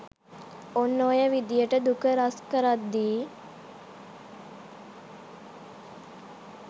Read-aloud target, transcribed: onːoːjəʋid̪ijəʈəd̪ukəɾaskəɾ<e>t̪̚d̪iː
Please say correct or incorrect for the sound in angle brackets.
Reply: incorrect